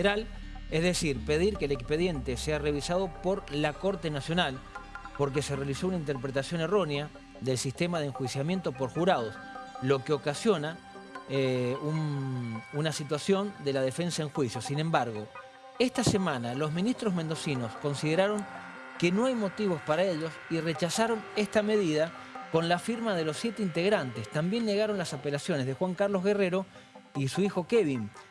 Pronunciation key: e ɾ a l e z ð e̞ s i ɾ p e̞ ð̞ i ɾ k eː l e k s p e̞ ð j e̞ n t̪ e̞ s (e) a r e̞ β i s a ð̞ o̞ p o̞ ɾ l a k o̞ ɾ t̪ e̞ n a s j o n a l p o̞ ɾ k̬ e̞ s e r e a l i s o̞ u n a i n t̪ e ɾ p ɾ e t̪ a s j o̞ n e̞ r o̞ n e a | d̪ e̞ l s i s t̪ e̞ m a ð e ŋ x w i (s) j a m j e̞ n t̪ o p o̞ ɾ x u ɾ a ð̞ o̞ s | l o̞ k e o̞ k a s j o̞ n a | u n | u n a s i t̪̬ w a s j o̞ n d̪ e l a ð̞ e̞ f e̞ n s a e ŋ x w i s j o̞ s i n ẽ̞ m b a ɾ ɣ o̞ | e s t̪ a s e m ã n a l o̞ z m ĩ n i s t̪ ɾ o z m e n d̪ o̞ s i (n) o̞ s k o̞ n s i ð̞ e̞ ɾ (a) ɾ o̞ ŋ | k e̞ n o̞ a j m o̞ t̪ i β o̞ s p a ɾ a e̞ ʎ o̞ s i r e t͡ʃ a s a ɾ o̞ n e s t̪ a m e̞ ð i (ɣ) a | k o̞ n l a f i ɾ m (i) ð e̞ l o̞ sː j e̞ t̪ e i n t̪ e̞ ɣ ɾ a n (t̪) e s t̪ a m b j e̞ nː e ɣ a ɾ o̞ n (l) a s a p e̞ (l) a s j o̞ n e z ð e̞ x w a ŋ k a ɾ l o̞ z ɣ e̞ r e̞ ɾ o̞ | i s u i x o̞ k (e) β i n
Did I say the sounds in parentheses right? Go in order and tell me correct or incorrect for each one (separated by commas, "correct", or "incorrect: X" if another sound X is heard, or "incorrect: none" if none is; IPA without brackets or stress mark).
correct, correct, correct, correct, incorrect: ð, incorrect: a, correct, correct, correct, correct